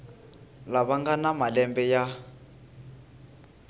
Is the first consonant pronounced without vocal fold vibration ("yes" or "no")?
no